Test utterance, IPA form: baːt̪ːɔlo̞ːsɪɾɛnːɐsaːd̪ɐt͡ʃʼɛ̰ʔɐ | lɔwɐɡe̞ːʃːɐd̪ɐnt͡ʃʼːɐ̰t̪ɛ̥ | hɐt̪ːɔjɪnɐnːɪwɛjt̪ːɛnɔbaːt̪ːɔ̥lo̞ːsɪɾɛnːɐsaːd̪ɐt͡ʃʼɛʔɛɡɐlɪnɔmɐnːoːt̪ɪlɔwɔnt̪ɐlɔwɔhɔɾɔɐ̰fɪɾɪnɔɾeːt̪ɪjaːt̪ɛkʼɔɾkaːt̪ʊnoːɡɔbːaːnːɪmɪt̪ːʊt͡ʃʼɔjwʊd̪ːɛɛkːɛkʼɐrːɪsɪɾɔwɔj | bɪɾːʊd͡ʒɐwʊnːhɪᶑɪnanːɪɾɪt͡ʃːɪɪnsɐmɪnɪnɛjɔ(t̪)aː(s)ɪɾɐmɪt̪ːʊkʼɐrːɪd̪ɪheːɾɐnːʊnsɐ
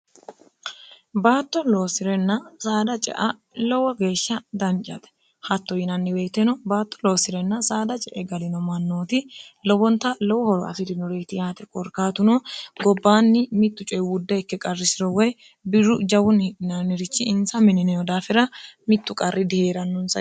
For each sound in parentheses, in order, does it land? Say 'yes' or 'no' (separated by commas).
no, no